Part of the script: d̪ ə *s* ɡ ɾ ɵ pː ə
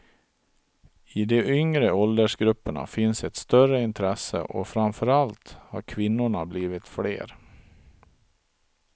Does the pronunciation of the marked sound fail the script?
yes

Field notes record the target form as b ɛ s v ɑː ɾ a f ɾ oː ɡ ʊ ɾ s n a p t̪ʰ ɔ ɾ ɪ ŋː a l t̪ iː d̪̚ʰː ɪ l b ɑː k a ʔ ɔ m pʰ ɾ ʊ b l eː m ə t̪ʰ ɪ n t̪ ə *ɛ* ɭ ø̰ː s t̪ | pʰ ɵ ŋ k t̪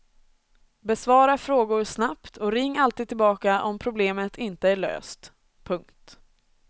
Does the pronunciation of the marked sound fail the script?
yes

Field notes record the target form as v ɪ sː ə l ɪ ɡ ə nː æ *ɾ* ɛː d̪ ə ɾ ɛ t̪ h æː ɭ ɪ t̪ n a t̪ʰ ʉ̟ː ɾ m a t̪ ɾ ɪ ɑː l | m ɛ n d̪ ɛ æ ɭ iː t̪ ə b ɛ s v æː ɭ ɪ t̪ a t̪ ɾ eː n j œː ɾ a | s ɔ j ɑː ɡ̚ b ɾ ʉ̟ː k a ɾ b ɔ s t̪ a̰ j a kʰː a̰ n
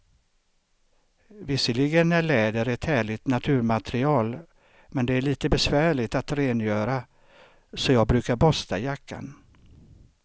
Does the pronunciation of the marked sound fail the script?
yes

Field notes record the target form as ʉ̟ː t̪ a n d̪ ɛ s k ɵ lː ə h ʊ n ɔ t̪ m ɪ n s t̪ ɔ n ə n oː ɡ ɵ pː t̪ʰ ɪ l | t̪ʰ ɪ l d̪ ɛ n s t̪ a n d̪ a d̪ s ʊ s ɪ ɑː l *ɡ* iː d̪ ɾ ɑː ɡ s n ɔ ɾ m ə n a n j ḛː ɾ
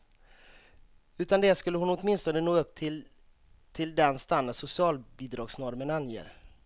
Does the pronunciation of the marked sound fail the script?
yes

